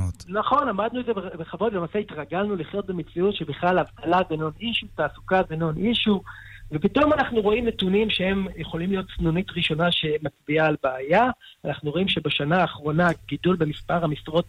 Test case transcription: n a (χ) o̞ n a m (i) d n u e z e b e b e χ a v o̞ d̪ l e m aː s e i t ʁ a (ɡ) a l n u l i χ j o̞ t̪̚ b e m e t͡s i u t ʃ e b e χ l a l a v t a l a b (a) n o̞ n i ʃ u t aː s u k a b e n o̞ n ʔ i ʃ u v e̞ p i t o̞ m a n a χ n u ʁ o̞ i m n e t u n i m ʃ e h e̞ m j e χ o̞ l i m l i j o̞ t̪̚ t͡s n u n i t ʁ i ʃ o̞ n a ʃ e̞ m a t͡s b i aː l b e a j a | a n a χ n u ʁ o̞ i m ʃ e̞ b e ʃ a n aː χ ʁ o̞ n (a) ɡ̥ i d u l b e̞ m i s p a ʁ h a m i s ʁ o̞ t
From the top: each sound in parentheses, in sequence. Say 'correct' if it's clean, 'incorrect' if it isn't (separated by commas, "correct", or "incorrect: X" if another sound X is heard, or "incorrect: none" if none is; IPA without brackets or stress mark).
correct, incorrect: a, correct, incorrect: e, correct